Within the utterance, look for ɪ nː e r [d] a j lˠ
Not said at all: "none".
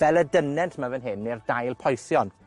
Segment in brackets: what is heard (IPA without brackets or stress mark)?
d